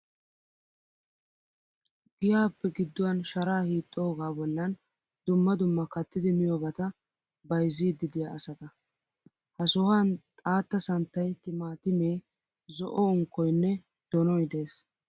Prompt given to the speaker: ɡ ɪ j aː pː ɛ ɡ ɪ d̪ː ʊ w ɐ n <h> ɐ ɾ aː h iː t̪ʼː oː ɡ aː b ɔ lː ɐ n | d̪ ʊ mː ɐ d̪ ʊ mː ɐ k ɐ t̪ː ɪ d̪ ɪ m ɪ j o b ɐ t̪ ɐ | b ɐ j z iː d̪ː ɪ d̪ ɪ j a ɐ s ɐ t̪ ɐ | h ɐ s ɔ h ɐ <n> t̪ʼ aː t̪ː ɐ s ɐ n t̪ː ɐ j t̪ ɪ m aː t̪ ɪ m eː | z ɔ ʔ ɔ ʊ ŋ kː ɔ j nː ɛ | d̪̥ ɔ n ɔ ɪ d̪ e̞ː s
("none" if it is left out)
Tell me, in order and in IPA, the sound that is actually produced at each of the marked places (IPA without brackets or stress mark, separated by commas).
ʃ, n